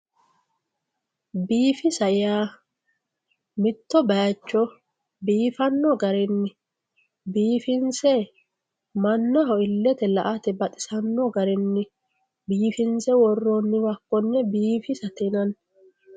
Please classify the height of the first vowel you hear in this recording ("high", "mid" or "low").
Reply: high